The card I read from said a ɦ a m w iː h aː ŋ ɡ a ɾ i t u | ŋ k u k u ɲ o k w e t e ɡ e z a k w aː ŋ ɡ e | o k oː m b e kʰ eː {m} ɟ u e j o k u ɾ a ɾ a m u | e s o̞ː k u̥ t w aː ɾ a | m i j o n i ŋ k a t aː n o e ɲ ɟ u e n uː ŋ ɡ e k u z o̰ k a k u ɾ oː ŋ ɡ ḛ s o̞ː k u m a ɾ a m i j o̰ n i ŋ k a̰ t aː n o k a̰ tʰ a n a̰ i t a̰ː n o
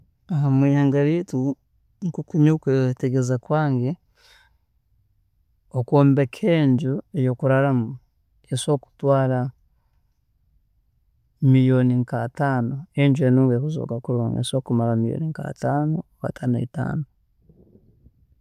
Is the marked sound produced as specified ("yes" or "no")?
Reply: no